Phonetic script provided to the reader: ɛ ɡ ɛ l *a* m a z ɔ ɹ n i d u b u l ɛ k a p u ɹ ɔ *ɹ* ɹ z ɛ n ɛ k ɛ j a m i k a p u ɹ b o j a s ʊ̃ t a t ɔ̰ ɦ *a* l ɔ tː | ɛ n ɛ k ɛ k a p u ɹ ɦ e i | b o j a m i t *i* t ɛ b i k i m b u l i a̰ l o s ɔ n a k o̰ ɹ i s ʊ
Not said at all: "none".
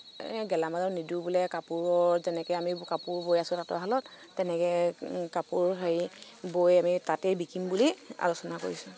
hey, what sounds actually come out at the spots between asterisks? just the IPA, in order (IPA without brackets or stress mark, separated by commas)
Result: a, ɹ, a, a